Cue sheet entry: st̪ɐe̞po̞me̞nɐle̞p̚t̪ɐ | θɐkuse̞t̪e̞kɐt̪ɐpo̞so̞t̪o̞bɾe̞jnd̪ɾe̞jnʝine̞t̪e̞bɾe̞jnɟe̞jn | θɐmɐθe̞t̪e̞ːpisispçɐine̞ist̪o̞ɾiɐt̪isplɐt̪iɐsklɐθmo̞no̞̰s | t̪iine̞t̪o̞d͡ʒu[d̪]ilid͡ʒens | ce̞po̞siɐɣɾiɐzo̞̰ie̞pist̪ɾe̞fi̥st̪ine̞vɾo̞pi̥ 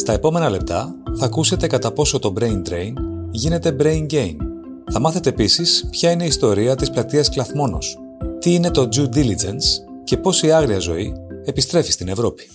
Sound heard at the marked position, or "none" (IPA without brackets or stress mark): d̪